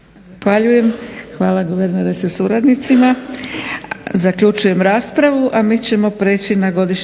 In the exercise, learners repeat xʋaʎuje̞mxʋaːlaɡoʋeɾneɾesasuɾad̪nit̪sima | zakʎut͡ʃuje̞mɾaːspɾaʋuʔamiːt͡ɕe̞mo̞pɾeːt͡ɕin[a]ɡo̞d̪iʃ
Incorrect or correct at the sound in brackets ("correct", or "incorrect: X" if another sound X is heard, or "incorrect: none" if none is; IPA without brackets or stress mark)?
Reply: correct